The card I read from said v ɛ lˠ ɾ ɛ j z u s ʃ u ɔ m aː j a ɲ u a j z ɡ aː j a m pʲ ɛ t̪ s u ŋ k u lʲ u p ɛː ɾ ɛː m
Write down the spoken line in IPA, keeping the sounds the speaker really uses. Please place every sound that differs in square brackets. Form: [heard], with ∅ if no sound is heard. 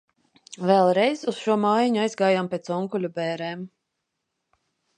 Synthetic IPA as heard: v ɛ lˠ ɾ ɛ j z u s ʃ u ɔ m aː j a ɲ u a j z ɡ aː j a m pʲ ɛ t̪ s [ɔ] ŋ k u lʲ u [b] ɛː ɾ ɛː m